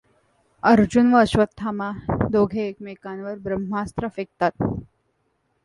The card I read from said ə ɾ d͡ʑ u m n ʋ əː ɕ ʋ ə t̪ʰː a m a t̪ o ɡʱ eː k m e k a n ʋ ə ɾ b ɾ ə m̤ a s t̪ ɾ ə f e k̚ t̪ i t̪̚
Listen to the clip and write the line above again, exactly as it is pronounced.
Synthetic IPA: ə ɾ d͡ʑ u n ʋ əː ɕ ʋ ə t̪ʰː a m a d̪ o ɡʱ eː k m e k a n ʋ ə ɾ b ɾ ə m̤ a s t̪ ɾ ə f e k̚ t̪ a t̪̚